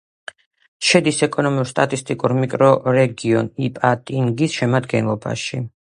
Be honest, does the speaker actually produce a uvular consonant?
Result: no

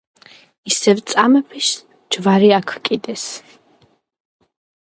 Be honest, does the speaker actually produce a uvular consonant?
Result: no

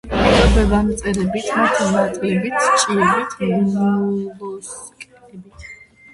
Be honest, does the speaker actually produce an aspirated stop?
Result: yes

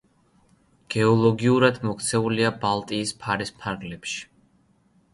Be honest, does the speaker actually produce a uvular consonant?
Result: no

